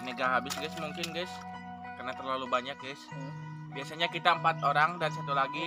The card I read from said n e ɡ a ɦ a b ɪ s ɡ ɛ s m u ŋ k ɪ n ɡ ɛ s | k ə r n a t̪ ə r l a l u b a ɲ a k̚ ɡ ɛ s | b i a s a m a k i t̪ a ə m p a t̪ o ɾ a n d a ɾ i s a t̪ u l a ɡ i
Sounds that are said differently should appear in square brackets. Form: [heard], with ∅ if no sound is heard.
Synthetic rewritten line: n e ɡ a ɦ a b ɪ s ɡ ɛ s m u ŋ k ɪ n ɡ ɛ s | k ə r n a t̪ ə r l a l u b a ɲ a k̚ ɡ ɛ s | b i a s a [ɲ] a k i t̪ a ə m p a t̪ o ɾ a [ŋ] d a ɾ i s a t̪ u l a ɡ i